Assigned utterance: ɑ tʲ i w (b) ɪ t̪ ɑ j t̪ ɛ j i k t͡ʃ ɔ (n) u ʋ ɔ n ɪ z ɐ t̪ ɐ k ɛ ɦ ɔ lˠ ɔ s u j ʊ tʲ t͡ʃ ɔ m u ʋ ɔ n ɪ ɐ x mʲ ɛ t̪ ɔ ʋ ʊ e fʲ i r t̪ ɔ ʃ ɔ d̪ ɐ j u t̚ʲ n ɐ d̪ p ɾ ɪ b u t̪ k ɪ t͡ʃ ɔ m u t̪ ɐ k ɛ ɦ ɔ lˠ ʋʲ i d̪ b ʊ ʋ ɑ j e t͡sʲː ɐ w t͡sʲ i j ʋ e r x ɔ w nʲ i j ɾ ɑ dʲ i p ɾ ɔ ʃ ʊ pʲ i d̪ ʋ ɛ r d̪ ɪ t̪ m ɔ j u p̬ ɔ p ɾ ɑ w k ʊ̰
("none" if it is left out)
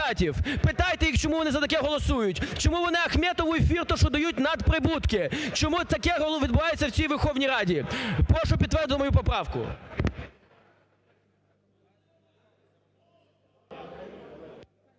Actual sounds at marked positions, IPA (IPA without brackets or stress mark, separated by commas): p, m